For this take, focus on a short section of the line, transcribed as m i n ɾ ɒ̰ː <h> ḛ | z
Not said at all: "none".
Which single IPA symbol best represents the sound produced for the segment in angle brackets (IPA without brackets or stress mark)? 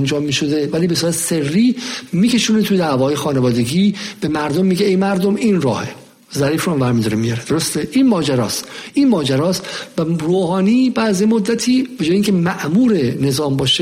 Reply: h